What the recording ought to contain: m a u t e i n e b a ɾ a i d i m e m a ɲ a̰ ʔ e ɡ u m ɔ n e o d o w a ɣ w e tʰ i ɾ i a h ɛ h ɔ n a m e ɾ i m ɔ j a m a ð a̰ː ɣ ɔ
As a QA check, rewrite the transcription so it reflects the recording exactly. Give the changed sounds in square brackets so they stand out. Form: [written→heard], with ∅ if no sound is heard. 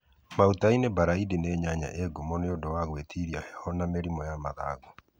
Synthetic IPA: m a u t [e→a] i n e b a ɾ a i d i [m→n] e [m→ɲ] a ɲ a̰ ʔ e ɡ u m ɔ n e o d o w a ɣ w e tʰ i ɾ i a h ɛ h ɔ n a m e ɾ i m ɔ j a m a ð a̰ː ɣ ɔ